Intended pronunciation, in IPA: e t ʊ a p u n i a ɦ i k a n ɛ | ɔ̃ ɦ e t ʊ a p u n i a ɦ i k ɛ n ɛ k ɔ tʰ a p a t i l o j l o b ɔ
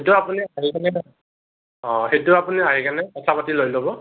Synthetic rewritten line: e t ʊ a p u n i a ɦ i k a n ɛ | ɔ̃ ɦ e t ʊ a p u n i a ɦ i k a n ɛ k ɔ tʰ a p a t i l o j l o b ɔ